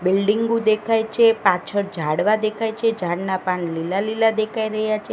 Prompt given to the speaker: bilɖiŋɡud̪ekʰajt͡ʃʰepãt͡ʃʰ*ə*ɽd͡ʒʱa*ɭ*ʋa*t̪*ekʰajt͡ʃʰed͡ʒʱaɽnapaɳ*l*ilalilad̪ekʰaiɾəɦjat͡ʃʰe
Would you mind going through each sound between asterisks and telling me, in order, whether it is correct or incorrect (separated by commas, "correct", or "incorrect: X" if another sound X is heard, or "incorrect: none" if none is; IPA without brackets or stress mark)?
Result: correct, incorrect: ɽ, incorrect: d̪, correct